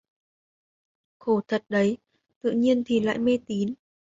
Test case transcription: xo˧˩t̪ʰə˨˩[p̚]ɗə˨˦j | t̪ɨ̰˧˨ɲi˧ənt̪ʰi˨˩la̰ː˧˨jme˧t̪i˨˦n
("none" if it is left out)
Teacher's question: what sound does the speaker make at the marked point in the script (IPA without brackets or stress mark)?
t̚